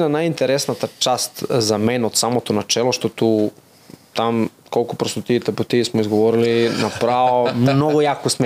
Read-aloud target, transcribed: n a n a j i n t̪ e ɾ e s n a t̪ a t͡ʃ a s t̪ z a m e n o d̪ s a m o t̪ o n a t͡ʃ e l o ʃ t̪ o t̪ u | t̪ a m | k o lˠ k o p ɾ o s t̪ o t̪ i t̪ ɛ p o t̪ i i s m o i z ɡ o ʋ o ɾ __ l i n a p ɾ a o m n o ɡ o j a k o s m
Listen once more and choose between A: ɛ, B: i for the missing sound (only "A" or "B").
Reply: B